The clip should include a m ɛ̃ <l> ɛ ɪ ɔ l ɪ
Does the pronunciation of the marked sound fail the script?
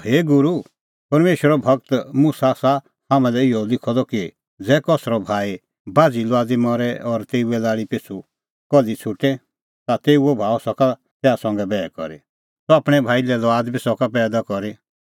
no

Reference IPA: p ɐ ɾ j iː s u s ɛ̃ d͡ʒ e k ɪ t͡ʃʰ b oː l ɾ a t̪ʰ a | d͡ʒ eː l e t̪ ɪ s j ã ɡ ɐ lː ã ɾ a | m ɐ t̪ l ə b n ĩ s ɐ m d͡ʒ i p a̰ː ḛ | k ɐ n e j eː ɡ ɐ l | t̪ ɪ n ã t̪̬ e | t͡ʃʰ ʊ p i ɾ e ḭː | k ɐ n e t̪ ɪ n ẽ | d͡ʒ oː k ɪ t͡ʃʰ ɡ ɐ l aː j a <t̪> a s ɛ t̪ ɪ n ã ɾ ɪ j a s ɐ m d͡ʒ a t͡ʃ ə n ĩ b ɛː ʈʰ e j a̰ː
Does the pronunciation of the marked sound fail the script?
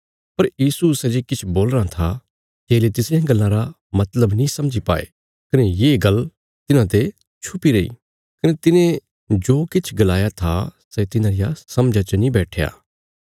yes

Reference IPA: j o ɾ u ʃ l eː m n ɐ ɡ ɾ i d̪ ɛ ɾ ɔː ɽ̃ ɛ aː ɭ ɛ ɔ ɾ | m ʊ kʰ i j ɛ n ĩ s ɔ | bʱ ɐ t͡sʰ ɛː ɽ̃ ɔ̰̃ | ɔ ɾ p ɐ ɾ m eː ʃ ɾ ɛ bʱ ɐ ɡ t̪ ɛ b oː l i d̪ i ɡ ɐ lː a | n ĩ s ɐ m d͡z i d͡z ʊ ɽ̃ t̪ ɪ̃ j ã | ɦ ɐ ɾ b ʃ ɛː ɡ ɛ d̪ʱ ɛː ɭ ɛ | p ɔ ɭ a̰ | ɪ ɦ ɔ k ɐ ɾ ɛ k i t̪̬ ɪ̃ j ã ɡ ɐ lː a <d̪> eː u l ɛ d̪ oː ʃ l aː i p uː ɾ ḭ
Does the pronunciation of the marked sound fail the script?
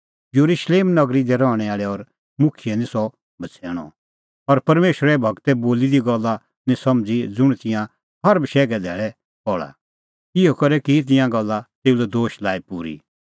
yes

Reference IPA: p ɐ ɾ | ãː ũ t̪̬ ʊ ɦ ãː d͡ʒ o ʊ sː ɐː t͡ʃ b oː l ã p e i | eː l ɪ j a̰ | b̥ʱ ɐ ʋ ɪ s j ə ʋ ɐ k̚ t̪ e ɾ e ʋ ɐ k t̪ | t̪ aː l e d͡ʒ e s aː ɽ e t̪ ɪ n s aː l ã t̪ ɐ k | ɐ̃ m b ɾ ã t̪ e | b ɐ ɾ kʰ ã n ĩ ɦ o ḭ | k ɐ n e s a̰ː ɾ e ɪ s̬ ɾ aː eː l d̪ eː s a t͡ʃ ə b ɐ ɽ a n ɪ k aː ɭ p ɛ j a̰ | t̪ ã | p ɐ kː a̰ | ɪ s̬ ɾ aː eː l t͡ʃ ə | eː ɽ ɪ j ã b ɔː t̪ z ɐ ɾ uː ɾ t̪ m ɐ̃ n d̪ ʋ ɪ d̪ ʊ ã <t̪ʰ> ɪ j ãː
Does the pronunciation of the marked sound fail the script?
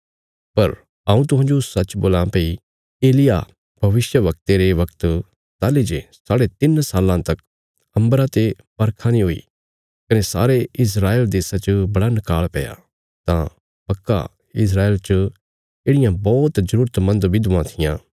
no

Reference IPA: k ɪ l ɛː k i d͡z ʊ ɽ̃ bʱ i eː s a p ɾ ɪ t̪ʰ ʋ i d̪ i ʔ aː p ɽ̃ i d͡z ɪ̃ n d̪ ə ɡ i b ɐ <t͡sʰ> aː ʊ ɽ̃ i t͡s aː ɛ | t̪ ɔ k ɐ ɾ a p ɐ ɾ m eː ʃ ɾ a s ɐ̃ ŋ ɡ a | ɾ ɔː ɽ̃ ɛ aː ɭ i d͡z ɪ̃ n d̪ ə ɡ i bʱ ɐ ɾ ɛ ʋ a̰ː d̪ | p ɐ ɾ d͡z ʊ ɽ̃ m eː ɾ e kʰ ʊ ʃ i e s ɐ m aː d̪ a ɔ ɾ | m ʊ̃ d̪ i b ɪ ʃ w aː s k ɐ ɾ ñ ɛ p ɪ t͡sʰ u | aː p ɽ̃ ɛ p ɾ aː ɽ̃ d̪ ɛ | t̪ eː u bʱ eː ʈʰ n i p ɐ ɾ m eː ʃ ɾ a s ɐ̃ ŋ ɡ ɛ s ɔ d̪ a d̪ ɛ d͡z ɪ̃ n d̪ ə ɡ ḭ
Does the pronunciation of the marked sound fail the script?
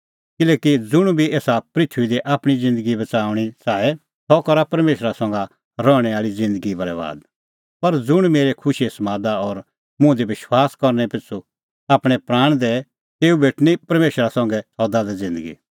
yes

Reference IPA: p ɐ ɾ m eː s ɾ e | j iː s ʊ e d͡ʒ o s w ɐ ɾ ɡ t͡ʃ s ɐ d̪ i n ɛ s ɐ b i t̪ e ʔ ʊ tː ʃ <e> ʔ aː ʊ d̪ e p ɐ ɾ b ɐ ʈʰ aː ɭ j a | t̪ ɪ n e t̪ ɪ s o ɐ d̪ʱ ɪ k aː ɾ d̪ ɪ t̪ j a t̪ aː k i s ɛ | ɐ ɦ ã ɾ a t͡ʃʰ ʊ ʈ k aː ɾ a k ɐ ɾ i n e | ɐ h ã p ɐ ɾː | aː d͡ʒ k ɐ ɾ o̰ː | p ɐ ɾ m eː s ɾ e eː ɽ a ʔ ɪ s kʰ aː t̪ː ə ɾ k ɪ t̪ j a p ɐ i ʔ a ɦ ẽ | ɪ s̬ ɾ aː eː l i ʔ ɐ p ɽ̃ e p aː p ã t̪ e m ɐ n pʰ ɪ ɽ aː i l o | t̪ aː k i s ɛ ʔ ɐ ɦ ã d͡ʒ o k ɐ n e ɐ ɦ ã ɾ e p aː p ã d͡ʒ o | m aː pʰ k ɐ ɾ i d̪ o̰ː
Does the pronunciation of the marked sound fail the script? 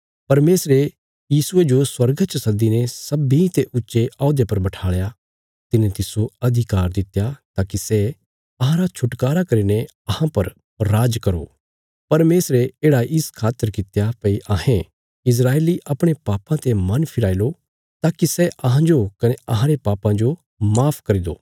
no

